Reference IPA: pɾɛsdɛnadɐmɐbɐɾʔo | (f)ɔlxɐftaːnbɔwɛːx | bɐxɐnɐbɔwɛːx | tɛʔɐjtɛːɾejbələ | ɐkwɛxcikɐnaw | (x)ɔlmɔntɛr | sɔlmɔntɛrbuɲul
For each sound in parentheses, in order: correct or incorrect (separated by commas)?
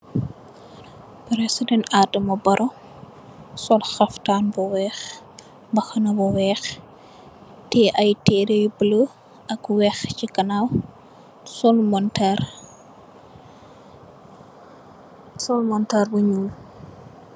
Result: incorrect, incorrect